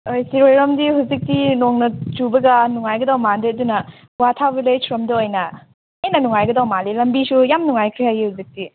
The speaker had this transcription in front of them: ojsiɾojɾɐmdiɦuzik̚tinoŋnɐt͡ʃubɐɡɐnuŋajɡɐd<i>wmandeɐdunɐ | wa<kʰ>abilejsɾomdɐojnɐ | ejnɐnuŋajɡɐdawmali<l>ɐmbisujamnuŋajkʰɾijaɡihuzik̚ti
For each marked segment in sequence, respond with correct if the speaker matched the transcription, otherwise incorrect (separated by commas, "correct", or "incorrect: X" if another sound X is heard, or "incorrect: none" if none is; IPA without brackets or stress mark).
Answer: incorrect: a, incorrect: tʰ, correct